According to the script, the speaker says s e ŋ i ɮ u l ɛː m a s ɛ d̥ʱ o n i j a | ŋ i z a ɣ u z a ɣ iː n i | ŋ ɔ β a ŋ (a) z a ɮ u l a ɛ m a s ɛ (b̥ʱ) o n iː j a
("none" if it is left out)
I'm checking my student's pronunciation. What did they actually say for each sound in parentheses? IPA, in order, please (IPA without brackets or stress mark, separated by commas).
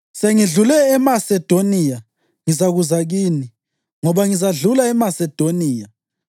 i, d̥ʱ